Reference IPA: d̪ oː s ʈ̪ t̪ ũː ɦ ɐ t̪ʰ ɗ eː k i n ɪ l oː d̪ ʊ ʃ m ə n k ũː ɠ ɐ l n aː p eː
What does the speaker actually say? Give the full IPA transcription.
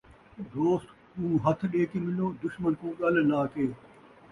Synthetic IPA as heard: d̪ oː s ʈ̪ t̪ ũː ɦ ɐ t̪ʰ ɗ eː k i m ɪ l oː d̪ ʊ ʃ m ə n k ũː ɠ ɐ l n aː k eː